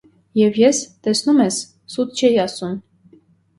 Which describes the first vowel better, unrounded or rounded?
unrounded